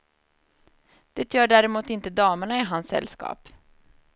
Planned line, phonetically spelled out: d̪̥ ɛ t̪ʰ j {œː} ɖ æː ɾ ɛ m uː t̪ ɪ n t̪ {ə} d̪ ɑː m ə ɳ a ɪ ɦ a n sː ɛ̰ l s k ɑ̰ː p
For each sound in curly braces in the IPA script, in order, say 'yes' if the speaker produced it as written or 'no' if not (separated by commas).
yes, yes